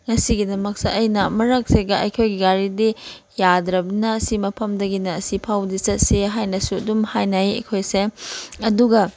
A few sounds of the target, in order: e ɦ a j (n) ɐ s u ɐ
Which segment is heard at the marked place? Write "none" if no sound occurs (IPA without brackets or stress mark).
n